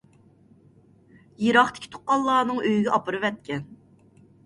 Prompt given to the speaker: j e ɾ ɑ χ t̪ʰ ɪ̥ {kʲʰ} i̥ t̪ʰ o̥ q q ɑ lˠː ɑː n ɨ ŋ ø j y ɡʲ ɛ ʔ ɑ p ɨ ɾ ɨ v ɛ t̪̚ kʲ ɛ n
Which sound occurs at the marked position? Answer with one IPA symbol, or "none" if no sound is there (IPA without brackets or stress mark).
kʲ